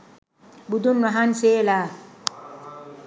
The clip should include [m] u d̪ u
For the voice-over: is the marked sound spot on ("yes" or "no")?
no